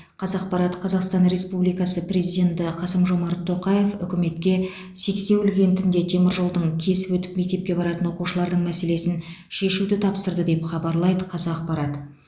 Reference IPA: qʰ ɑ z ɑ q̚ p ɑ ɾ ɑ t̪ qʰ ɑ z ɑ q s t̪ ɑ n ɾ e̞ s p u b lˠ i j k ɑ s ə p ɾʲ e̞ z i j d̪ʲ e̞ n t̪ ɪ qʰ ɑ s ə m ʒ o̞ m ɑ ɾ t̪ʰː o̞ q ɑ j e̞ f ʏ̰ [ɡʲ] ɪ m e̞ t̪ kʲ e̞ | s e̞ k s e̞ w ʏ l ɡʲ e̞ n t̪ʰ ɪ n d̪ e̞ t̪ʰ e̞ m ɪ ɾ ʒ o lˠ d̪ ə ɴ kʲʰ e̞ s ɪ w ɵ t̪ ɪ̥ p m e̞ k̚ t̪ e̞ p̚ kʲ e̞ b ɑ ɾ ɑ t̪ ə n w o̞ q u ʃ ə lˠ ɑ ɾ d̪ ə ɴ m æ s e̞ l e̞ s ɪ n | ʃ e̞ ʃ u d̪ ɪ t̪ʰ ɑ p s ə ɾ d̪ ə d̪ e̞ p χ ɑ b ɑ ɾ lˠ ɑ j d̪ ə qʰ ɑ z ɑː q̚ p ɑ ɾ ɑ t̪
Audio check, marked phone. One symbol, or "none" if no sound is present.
kʲ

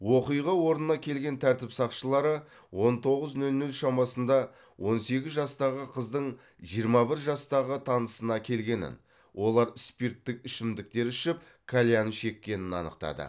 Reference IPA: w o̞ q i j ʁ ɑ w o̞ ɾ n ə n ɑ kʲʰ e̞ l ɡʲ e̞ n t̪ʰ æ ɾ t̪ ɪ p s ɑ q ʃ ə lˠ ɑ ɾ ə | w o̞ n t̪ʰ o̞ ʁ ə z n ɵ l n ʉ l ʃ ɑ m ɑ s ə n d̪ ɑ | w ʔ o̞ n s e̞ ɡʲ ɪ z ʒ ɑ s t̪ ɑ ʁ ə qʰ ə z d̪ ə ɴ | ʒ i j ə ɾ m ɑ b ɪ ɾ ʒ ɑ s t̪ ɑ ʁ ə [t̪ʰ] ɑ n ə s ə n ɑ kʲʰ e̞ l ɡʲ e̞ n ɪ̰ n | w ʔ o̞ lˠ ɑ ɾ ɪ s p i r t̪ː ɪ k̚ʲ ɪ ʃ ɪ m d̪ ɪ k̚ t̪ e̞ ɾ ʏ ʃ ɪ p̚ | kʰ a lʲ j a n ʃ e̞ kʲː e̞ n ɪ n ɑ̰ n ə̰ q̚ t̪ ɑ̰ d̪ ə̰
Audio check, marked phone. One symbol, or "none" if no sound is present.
t̪ʰ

